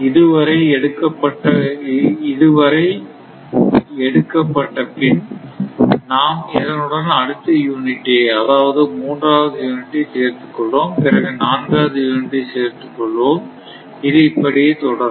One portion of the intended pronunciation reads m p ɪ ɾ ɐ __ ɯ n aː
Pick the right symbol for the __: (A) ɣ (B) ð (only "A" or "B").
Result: A